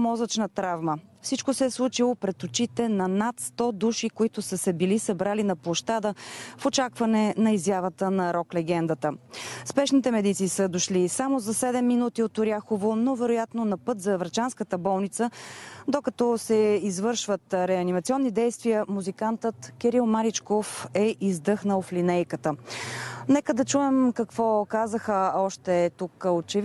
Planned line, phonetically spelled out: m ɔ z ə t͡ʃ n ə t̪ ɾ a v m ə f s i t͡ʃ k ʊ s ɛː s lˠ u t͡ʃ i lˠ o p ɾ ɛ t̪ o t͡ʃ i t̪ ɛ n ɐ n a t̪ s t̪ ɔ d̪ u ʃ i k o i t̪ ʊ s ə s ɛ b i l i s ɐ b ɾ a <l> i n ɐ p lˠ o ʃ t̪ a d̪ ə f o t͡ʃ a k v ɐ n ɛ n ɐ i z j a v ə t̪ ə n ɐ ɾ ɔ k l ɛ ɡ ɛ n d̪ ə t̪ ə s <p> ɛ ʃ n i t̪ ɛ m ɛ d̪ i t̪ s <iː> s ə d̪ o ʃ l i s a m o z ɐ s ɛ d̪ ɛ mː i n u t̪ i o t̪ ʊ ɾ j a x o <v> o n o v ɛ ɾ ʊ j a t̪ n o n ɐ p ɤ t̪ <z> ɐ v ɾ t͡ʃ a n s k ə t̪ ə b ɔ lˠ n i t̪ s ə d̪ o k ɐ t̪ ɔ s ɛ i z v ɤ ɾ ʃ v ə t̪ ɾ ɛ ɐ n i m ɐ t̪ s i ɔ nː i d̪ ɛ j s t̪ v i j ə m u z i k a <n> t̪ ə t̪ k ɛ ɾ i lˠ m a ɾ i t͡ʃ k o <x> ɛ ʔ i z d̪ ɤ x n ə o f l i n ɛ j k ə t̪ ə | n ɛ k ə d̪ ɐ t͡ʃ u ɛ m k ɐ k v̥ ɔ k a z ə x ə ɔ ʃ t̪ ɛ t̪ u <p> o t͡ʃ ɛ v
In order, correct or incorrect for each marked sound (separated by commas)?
correct, correct, correct, correct, correct, correct, incorrect, incorrect